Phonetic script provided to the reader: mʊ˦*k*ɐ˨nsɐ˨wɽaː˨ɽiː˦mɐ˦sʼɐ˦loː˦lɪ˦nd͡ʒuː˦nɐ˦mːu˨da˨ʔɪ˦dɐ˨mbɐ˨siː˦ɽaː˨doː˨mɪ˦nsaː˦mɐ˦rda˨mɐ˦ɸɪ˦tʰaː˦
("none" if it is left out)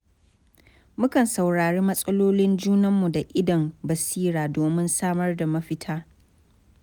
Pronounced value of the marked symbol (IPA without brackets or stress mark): k